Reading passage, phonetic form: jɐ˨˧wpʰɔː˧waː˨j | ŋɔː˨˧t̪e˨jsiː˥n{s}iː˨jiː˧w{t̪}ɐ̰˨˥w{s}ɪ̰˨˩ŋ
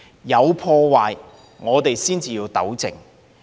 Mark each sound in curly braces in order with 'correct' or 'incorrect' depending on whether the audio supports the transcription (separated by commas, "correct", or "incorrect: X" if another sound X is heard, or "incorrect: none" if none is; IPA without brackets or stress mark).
incorrect: t͡s, correct, incorrect: t͡s